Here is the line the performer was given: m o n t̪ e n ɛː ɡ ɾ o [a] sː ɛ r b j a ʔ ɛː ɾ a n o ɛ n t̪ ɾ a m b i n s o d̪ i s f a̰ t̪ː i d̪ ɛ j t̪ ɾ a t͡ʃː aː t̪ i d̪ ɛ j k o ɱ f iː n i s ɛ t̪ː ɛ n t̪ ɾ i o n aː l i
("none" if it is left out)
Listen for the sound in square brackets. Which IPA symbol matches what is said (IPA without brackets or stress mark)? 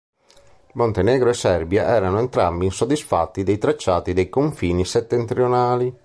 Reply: ɛ